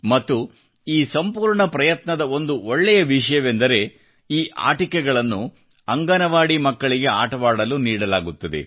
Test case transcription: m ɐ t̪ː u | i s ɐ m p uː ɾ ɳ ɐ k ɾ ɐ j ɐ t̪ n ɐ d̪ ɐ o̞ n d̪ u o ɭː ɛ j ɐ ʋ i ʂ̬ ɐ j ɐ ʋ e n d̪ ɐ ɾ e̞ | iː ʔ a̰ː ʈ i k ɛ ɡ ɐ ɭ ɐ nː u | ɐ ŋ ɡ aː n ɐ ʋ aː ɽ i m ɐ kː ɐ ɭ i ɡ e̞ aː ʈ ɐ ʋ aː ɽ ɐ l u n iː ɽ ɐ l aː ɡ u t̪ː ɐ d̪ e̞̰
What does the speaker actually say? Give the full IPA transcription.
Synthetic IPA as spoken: m ɐ t̪ː u | iː s ɐ m p uː ɾ ɳ ɐ p ɾ ɐ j ɐ t̪ n ɐ d̪ ɐ o̞ n d̪ u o ɭː ɛ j ɐ ʋ i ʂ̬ ɐ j ɐ ʋ e n d̪ ɐ ɾ e̞ | iː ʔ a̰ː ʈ i k ɛ ɡ ɐ ɭ ɐ nː u | ɐ ŋ ɡ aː n ɐ ʋ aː ɽ i m ɐ kː ɐ ɭ i ɡ e̞ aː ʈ ɐ ʋ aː ɽ ɐ l u n iː ɽ ɐ l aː ɡ u t̪ː ɐ d̪ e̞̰